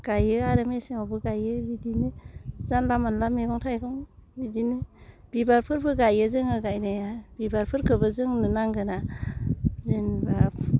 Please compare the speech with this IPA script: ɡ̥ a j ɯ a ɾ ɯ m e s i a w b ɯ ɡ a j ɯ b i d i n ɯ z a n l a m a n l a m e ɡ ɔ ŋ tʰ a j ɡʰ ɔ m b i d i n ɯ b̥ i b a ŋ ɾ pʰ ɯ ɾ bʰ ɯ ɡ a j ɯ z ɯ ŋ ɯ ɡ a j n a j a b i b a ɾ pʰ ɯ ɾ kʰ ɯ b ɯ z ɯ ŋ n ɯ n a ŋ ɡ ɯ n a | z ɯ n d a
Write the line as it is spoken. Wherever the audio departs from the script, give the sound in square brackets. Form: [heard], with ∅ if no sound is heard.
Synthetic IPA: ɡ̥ a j ɯ a ɾ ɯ m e s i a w b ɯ ɡ a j ɯ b i d i n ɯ z a n l a m a n l a m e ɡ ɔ ŋ tʰ a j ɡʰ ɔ [ŋ] b i d i n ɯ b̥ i b a [∅] ɾ pʰ ɯ ɾ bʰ ɯ ɡ a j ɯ z ɯ ŋ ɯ ɡ a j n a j a b i b a ɾ pʰ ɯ ɾ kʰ ɯ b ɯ z ɯ ŋ n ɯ n a ŋ ɡ ɯ n a | z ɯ n [b] a